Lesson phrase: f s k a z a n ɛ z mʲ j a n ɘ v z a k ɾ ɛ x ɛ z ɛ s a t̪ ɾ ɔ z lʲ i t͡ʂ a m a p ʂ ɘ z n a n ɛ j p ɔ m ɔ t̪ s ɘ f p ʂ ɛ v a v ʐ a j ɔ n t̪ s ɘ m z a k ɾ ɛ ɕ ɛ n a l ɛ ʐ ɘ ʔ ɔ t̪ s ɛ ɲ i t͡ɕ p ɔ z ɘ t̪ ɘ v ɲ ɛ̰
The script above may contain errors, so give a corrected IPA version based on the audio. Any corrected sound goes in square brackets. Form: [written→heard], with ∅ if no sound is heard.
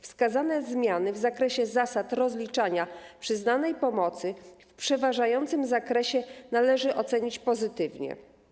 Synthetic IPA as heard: f s k a z a n ɛ z mʲ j a n ɘ v z a k ɾ ɛ [x→ɕ] ɛ z [ɛ→a] s a t̪ ɾ ɔ z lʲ i t͡ʂ a [m→ɲ] a p ʂ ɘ z n a n ɛ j p ɔ m ɔ t̪ s ɘ f p ʂ ɛ v a [v→∅] ʐ a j ɔ n t̪ s ɘ m z a k ɾ ɛ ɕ ɛ n a l ɛ ʐ ɘ ʔ ɔ t̪ s ɛ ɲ i t͡ɕ p ɔ z ɘ t̪ ɘ v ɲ ɛ̰